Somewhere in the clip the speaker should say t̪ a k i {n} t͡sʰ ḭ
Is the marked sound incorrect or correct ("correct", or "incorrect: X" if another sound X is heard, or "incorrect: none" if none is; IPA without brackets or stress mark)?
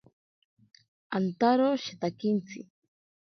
correct